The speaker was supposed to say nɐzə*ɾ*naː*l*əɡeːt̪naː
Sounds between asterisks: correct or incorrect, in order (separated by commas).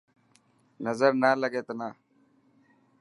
correct, correct